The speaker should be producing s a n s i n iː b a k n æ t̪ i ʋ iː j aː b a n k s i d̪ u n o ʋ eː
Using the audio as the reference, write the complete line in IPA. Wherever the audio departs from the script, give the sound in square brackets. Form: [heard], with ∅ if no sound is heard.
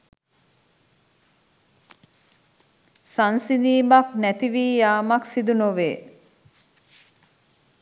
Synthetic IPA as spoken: s a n s i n iː b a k n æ t̪ i ʋ iː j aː [m] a [∅] k s i d̪ u n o ʋ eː